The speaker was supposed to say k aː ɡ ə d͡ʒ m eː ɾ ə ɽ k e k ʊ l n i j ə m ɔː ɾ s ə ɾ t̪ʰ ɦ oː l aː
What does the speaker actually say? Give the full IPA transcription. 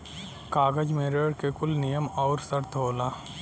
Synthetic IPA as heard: k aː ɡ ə d͡ʒ m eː ɾ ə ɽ k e k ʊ l n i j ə m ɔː ɾ s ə ɾ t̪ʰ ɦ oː l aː

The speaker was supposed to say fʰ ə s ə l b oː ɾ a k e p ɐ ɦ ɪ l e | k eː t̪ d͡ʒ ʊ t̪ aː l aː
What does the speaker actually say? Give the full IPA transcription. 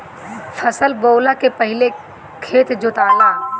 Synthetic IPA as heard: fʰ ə s ə l b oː l a k e p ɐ ɦ ɪ l e | kʰ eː t̪ d͡ʒ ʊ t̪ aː l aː

